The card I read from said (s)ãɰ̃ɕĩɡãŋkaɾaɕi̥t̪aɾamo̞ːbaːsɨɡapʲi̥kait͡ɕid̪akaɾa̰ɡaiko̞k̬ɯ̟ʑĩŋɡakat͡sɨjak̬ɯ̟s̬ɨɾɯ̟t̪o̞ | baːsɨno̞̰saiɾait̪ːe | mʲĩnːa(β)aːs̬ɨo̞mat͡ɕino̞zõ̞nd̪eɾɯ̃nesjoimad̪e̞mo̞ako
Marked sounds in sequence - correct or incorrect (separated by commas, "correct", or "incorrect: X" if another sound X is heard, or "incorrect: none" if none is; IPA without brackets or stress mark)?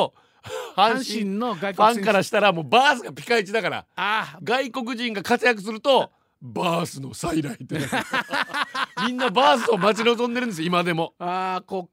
incorrect: h, incorrect: b